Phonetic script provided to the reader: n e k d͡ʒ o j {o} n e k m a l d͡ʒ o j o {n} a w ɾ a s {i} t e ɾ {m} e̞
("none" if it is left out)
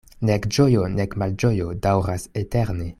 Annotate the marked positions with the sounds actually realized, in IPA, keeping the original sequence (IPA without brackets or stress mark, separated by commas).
o, d, e, n